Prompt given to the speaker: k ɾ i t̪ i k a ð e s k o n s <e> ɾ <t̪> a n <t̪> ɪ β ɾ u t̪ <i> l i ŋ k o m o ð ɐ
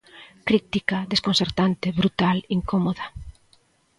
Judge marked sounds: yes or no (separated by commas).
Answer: yes, yes, yes, no